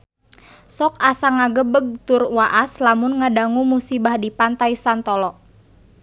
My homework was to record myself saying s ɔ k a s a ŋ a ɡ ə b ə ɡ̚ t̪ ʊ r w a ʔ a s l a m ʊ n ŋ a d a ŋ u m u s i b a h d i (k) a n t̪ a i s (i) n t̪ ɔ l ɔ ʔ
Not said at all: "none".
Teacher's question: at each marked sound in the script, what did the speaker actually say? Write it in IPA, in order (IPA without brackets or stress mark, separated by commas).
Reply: p, a